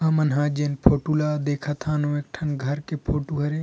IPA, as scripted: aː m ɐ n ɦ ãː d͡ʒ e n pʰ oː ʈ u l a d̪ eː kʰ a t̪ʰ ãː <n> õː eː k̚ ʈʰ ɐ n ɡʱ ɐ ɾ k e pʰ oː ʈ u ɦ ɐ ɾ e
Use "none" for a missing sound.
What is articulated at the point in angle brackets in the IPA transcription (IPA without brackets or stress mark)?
n